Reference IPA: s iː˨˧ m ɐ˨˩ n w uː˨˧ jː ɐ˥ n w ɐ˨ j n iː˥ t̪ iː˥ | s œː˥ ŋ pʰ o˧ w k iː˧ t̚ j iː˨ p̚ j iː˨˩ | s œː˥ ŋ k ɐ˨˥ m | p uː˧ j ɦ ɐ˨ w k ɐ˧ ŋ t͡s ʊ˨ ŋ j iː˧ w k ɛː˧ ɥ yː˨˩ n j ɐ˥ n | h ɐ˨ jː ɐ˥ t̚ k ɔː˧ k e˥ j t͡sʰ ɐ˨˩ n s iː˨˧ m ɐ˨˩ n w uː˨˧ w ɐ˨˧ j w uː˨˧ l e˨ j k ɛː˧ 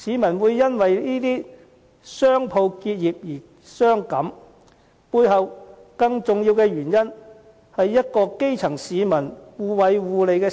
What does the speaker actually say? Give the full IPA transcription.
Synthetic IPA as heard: s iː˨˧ m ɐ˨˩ n w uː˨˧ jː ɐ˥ n w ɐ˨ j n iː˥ t̪ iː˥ | s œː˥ ŋ pʰ o˧ w k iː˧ t̚ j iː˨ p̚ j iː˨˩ | s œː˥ ŋ k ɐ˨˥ m | p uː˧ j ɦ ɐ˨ w k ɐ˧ ŋ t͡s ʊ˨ ŋ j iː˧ w k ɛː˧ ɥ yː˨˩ n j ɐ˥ n | h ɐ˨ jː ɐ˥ t̚ k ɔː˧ k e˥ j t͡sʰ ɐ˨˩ ŋ s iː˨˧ m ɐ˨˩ n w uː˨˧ w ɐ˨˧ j w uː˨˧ l e˨ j k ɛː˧